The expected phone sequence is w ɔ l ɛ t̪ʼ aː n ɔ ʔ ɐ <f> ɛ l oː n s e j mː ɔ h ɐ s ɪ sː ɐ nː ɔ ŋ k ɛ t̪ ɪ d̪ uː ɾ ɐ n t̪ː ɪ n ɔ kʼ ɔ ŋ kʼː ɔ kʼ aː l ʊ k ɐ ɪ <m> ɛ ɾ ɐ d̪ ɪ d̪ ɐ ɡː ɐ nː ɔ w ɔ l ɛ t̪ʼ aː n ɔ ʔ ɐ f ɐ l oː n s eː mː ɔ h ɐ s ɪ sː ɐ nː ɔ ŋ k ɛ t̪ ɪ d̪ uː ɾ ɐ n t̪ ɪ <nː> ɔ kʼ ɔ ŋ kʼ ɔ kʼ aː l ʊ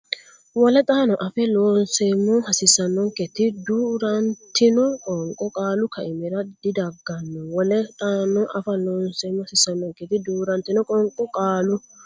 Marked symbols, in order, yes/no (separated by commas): yes, yes, no